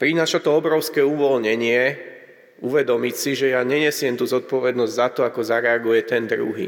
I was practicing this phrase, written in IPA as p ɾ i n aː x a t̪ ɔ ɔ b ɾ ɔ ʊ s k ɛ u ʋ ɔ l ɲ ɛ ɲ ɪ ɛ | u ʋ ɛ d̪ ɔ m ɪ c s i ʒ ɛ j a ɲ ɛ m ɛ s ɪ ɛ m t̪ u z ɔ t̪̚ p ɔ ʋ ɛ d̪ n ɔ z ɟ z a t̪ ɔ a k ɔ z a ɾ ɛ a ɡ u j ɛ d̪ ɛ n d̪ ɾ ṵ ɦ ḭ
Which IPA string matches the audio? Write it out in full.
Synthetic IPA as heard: p ɾ i n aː ʃ a t̪ ɔ ɔ b ɾ ɔ ʊ s k ɛ u ʋ ɔ l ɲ ɛ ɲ ɪ ɛ | u ʋ ɛ d̪ ɔ m i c s i ʒ ɛ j a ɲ ɛ ɲ ɛ s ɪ ɛ m t̪ u z ɔ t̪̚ p ɔ ʋ ɛ d̪ n ɔ z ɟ z a t̪ ɔ a k ɔ z a ɾ ɛ a ɡ u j ɛ t̪ ɛ n d̪ ɾ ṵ ɦ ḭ